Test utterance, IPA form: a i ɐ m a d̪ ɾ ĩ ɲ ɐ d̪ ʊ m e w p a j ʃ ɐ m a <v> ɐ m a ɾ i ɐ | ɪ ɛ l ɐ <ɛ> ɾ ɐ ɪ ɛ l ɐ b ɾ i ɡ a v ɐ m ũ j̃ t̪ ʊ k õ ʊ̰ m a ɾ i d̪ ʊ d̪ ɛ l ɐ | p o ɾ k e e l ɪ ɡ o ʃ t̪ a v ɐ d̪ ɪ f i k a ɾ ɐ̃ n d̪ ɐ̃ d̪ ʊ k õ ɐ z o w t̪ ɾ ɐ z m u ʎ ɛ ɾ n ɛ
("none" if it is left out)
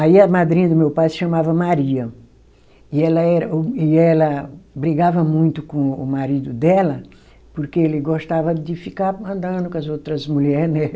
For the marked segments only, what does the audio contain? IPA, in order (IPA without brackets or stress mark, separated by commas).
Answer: v, ɛ